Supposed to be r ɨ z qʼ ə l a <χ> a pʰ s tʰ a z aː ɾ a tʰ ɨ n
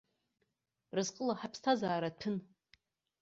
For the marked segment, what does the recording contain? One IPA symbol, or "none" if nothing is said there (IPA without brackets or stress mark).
ħ